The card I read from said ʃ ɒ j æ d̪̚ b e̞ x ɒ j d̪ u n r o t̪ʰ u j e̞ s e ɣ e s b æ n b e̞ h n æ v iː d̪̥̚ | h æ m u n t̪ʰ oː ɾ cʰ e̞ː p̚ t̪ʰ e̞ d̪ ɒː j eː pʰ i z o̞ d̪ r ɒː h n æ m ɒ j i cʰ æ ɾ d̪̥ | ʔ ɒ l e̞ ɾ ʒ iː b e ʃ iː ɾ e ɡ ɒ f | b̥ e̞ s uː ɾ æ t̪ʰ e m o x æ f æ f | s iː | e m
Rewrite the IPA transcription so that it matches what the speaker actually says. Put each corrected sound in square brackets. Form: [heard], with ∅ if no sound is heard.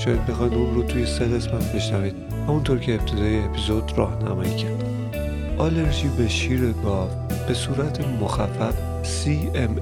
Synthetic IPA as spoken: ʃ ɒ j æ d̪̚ b e̞ x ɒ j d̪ u n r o t̪ʰ u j e̞ s e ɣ e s [m] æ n b e̞ [ʃ] n æ v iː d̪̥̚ | h æ m u n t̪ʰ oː ɾ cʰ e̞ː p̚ t̪ʰ e̞ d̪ ɒː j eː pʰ i z o̞ d̪ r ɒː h n æ m ɒ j i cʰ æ ɾ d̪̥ | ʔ ɒ l e̞ ɾ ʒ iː b e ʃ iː ɾ e ɡ ɒ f | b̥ e̞ s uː ɾ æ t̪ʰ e m o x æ f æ f | s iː | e m